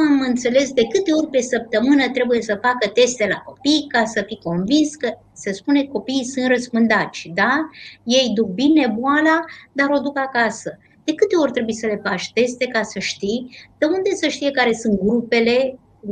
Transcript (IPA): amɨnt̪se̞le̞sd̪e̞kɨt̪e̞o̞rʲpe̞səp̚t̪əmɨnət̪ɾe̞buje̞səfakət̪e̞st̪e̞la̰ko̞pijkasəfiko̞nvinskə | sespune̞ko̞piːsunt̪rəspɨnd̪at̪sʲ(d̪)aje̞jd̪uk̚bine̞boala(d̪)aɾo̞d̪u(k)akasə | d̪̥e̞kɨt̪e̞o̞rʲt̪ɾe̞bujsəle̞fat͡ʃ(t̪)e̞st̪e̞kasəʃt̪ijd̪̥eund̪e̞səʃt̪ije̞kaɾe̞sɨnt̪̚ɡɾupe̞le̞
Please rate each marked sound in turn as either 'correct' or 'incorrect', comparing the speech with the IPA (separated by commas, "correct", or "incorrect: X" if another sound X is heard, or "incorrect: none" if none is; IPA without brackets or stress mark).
correct, correct, correct, correct